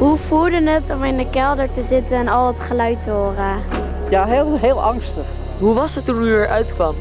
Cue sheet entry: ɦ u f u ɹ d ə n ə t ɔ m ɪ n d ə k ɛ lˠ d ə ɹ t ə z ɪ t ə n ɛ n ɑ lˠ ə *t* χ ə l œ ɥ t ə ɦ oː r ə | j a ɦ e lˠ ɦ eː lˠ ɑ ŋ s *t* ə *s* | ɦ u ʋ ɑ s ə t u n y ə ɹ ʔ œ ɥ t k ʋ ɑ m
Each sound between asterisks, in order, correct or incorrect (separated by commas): correct, correct, incorrect